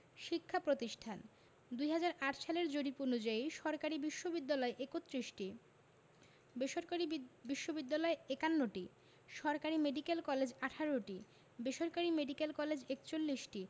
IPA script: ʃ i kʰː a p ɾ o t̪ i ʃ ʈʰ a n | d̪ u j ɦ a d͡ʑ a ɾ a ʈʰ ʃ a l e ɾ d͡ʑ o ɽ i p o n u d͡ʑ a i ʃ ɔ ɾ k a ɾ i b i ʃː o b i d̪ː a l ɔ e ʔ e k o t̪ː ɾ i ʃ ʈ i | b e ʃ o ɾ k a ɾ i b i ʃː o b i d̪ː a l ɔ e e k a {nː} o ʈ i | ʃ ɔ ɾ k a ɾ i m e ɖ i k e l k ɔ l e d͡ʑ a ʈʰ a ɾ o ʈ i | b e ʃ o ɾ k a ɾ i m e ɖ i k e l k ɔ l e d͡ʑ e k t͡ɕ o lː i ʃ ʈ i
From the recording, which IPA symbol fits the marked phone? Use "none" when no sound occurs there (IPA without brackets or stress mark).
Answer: nː